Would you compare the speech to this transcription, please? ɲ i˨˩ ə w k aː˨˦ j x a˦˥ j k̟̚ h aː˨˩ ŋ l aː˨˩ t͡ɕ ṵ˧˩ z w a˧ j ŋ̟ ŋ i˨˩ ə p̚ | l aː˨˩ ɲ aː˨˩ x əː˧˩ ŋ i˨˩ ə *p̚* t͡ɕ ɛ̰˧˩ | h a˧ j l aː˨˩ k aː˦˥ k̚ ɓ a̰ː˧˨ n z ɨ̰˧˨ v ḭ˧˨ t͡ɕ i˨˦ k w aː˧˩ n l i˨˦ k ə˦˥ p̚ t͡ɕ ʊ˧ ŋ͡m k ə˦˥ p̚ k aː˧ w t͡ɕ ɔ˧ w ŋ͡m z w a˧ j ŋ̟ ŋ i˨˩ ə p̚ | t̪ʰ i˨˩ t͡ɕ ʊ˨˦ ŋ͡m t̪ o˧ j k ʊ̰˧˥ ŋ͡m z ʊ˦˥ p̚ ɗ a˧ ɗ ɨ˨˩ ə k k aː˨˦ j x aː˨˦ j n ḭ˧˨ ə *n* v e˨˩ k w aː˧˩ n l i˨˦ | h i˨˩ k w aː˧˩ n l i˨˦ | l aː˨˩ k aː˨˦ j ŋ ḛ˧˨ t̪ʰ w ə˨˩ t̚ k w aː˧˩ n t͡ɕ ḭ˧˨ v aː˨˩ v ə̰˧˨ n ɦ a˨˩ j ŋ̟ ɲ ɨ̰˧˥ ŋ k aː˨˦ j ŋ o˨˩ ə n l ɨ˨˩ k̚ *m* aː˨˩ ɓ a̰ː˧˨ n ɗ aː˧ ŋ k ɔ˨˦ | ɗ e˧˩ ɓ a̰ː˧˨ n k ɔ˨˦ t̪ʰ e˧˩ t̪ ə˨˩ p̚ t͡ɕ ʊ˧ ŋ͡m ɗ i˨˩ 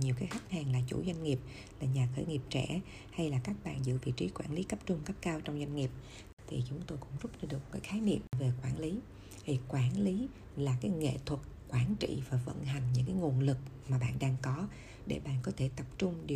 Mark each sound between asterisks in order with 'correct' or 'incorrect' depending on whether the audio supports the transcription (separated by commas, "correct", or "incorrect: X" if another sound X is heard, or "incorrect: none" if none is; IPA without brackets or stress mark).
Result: correct, incorrect: m, correct